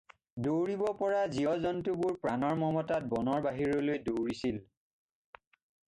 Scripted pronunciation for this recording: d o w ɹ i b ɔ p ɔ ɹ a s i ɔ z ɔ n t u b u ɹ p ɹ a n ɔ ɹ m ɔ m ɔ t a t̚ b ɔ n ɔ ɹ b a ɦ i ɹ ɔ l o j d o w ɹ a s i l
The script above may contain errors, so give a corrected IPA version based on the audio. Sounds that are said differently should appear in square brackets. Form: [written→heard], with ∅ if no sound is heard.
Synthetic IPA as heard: d o w ɹ i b ɔ p ɔ ɹ a [s→z] i ɔ z ɔ n t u b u ɹ p ɹ a n ɔ ɹ m ɔ m ɔ t a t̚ b ɔ n ɔ ɹ b a ɦ i ɹ ɔ l o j d o w ɹ [a→i] s i l